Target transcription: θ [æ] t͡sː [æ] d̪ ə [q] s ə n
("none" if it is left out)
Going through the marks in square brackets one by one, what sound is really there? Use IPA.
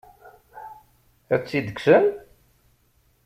æ, i, k

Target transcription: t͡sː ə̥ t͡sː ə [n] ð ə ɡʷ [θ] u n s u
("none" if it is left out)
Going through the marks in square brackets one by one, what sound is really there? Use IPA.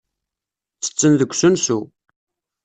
n, s

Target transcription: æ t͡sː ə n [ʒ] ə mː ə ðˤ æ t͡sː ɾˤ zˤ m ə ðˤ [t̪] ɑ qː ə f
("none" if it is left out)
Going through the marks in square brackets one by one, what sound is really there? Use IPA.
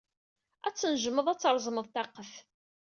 ʒ, t̪

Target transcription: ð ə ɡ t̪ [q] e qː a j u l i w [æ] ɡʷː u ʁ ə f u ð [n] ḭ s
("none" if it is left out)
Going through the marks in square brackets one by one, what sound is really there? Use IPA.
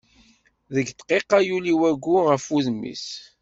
q, æ, m

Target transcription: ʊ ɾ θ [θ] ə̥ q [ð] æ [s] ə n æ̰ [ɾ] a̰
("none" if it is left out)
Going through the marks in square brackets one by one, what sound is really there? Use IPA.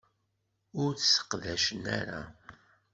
s, ð, ʃ, ɾ

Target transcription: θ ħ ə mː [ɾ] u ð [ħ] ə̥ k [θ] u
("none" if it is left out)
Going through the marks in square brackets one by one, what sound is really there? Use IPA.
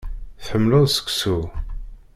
l, s, s

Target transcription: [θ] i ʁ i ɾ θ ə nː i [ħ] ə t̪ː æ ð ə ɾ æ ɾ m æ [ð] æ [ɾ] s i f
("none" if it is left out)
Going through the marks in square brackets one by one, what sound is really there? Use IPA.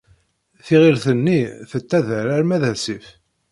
θ, θ, ð, none

